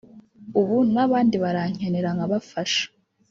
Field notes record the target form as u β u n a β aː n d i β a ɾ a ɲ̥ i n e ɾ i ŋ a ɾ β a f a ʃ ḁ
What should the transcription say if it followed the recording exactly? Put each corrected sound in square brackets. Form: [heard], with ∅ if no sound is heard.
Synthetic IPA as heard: u β u n a β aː n d i β a ɾ a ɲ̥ [e] n e ɾ [a] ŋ a [∅] β a f a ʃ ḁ